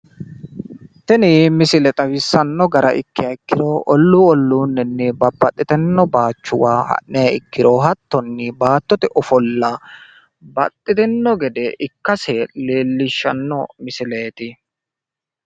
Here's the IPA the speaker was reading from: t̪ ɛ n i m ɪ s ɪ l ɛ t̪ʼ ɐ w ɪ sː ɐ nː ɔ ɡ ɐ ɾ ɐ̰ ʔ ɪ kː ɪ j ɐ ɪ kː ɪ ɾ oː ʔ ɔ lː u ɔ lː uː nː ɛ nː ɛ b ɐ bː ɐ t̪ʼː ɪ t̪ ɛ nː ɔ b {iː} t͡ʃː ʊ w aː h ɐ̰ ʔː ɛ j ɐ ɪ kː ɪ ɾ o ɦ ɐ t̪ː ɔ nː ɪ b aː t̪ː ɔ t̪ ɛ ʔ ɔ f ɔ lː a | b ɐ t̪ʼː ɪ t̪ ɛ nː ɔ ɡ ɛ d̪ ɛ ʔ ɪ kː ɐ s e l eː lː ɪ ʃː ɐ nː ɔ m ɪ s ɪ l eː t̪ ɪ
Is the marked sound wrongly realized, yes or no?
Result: yes